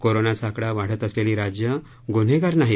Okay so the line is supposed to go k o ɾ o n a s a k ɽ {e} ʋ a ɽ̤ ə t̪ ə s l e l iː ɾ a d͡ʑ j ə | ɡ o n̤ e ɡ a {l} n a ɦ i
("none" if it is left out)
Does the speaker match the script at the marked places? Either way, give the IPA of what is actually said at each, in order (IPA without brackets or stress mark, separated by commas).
a, ɾ